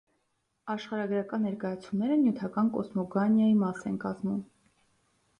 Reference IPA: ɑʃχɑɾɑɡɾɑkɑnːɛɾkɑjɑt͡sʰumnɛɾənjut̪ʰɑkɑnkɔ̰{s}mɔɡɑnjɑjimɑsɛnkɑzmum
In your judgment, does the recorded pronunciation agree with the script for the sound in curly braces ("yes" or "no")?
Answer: yes